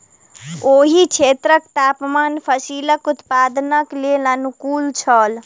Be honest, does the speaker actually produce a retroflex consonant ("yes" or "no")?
no